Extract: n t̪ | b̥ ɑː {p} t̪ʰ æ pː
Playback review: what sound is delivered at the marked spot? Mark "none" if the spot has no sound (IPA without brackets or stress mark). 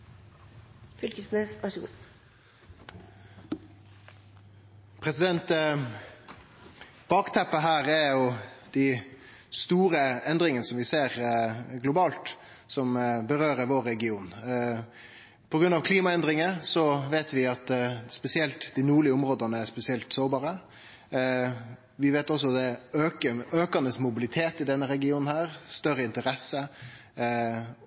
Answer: k